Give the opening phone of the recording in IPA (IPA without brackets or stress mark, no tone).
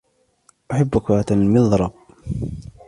ʔ